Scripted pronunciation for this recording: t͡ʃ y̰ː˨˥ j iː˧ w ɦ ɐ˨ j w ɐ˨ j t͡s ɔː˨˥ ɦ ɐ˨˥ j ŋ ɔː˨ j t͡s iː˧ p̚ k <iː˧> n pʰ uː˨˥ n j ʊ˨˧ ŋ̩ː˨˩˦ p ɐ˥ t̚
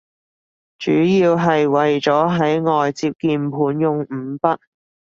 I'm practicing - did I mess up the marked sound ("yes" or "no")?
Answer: no